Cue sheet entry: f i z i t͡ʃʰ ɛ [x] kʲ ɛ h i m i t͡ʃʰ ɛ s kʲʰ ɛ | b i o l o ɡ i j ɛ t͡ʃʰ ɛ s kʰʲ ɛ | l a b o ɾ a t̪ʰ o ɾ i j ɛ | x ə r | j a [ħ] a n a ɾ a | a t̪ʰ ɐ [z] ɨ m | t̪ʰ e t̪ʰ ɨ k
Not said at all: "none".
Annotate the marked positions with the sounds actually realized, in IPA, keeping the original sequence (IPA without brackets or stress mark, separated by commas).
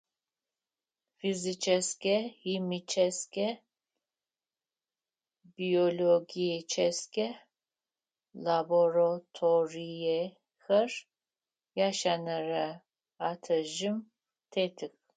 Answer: s, ʃ, ʒ